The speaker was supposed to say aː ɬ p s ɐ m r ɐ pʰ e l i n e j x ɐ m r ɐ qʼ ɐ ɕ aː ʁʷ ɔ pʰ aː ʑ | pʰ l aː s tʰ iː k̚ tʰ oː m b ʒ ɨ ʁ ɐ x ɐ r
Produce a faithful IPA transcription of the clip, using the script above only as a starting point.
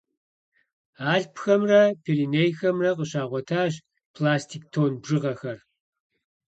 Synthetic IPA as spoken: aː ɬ p x ɐ m r ɐ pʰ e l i n e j x ɐ m r ɐ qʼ ə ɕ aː ʁʷ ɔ tʰ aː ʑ | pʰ l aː s tʰ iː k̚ tʰ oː n b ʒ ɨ ʁ ɐ x ɐ r